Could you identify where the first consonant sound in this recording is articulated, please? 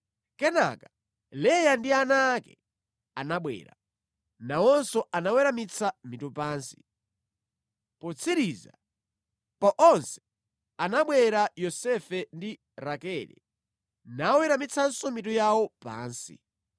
velar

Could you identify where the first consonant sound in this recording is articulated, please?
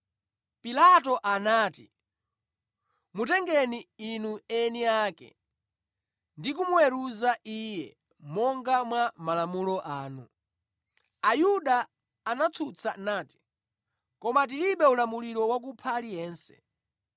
labial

